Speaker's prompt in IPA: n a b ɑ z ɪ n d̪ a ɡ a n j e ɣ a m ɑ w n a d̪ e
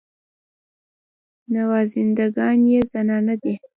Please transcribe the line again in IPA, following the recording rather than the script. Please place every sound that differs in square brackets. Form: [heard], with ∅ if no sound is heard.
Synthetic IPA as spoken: n a [w] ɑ z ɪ n d̪ a ɡ [ɑ] n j e [z] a [n] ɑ [∅] n a d̪ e